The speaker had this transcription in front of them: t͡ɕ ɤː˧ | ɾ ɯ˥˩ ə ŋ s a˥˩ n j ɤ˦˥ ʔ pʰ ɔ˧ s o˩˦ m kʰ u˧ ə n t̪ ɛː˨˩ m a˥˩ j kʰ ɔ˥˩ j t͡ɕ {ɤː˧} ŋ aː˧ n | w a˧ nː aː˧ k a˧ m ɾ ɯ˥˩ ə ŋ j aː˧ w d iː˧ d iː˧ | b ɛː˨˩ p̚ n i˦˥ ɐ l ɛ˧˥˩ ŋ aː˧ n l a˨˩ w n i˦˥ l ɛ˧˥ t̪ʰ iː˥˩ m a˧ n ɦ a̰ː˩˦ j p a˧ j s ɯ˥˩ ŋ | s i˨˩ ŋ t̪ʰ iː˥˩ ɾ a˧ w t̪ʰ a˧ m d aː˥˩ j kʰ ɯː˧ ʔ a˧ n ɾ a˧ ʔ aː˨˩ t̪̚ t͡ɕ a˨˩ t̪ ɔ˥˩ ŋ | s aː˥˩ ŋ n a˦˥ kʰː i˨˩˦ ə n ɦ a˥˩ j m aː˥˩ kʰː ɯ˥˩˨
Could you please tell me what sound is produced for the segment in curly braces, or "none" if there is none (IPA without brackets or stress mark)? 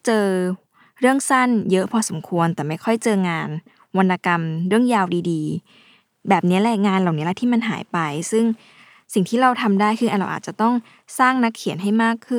ɤː˧